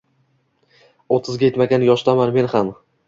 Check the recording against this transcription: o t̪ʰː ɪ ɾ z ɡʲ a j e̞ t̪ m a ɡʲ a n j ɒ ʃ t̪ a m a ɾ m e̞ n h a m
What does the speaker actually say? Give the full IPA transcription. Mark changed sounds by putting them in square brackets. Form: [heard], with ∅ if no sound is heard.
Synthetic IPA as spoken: o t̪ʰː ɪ [∅] z ɡʲ a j e̞ t̪ m a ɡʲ a n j ɒ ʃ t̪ a m a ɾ m e̞ n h a m